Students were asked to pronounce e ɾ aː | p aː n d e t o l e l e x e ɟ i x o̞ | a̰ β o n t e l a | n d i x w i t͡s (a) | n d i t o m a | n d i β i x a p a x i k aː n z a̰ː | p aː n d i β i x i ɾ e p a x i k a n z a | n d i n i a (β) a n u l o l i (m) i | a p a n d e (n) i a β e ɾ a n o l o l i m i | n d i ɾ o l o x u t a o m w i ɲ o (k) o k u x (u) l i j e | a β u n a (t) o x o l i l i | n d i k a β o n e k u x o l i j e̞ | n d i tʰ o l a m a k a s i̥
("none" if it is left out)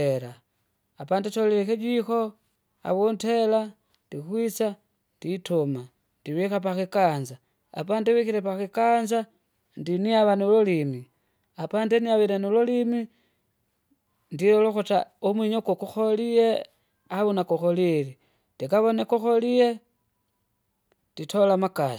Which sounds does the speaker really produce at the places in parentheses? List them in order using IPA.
a, β, m, n, k, o, k

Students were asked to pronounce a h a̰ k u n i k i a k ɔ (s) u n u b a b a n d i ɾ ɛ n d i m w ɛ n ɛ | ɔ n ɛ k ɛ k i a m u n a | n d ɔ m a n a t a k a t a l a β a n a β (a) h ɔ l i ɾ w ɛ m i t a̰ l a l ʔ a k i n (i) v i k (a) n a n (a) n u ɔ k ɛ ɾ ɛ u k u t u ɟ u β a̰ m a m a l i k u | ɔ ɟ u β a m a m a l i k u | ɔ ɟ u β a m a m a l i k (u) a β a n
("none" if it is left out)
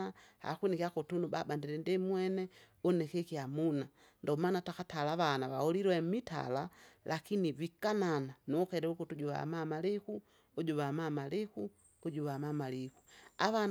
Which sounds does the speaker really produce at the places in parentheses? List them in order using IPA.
t, a, i, a, a, u

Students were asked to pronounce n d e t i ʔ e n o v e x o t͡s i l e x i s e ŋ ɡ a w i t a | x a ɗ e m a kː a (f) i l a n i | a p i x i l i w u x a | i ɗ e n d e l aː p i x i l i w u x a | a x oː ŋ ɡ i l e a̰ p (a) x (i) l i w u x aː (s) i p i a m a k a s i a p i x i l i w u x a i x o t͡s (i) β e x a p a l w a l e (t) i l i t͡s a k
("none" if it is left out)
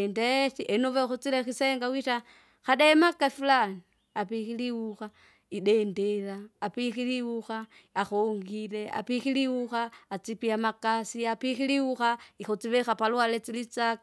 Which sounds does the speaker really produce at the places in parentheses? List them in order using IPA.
f, i, i, t͡s, i, t͡s

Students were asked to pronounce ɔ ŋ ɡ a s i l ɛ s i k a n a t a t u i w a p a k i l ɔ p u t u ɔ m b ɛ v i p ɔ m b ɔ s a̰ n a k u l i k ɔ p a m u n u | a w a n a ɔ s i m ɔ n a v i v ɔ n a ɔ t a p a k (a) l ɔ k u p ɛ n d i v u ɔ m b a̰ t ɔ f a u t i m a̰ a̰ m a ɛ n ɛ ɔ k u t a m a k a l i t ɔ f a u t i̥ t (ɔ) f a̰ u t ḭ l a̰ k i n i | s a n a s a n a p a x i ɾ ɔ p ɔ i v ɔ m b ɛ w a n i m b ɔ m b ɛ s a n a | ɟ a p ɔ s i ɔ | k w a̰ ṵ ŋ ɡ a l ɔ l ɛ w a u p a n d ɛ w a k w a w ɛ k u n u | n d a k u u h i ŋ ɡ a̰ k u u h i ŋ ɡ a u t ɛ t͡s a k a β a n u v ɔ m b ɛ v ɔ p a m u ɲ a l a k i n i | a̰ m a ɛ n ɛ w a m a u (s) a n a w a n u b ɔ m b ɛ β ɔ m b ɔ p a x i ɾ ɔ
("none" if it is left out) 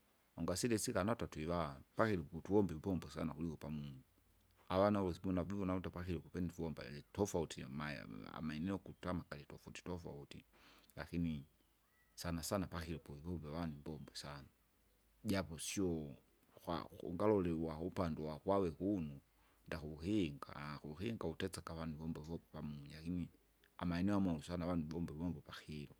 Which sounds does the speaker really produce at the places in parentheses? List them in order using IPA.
i, ɔ, s

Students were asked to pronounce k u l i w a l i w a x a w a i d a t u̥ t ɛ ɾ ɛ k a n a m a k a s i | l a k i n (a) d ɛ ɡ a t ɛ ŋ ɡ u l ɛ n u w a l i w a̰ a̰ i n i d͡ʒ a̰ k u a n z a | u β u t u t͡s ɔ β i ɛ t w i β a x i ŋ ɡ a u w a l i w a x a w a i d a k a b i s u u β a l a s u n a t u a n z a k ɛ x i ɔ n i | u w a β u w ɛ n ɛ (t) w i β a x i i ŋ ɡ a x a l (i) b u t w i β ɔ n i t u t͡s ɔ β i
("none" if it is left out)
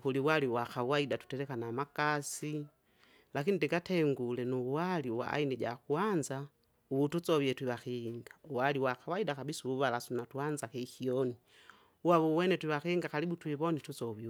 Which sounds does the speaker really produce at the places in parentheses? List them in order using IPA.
i, t, i

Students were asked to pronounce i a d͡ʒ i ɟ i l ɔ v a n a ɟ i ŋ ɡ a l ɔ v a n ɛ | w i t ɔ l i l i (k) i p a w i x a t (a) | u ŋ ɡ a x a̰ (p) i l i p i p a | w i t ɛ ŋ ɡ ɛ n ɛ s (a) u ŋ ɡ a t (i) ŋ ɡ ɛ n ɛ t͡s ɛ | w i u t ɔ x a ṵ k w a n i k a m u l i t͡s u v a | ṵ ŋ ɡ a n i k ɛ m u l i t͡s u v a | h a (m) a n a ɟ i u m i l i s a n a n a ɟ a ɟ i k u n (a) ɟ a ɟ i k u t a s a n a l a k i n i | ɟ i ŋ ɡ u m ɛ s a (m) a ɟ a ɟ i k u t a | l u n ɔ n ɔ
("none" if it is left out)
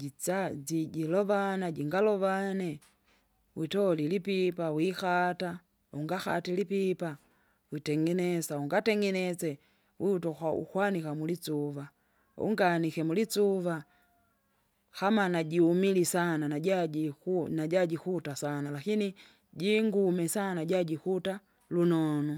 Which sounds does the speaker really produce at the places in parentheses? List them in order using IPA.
p, a, t, a, ɛ, m, a, n

